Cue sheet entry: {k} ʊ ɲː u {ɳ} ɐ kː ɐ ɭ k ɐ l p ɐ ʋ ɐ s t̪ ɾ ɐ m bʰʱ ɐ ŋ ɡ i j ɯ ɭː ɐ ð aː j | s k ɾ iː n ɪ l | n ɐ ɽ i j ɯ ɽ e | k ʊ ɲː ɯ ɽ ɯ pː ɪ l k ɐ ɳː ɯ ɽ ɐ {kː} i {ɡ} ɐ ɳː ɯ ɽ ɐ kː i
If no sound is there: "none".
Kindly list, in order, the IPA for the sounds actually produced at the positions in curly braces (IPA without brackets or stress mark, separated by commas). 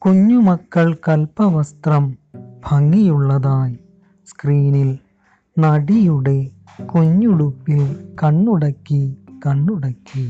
k, m, kː, k